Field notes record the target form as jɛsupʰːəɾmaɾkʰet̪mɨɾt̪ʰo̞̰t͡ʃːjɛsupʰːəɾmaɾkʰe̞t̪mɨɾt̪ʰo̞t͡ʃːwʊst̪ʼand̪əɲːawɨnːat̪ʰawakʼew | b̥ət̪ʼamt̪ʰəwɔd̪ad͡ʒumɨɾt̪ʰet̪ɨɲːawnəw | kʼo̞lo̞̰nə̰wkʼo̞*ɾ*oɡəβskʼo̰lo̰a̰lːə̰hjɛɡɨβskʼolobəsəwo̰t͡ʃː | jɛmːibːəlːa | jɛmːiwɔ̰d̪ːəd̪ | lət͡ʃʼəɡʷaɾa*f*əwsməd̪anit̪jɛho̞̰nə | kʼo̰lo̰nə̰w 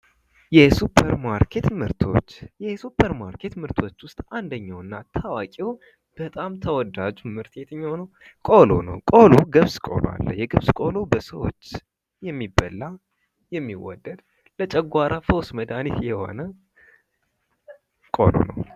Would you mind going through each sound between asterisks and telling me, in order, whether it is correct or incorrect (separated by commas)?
incorrect, correct